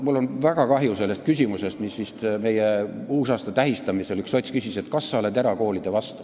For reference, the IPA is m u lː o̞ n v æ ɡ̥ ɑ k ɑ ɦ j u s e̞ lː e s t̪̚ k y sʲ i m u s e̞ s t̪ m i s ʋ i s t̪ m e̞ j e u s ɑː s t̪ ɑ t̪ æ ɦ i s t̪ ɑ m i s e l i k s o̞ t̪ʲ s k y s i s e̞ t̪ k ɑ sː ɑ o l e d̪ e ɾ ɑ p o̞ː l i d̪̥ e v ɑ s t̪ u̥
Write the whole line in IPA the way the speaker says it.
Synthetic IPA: m u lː o̞ n v æ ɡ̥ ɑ k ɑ ɦ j u s e̞ lː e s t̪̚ k y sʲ i m u s e̞ s t̪ m i s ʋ i s t̪ m e̞ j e uː s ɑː s t̪ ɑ t̪ æ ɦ i s t̪ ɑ m i s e l y k s o̞ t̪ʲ s k y s i s e̞ t̪ k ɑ sː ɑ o l e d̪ e ɾ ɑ k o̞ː l i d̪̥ e v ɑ s t̪ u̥